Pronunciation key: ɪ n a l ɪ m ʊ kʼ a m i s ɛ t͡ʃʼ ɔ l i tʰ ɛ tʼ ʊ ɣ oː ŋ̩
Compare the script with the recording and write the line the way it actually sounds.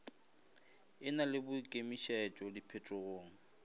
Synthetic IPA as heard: ɪ n a l ɪ b ʊ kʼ e m i ʃ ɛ t͡ʃʼ ɔ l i pʰ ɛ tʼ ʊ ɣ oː ŋ̩